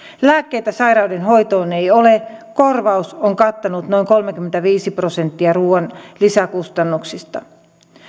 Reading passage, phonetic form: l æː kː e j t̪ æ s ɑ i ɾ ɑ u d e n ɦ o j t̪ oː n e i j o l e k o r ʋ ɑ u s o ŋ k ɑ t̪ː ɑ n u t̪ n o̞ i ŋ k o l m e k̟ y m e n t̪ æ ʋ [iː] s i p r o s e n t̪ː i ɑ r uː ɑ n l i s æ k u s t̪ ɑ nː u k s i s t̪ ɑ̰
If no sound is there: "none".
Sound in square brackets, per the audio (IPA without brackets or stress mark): iː